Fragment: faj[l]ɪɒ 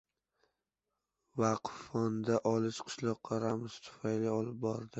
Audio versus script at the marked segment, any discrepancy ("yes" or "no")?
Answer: no